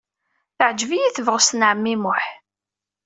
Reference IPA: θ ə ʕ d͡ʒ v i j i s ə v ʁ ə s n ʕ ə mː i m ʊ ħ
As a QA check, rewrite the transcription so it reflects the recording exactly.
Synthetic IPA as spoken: θ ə ʕ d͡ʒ v i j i θ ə v ʁ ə s n ʕ ə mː i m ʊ ħ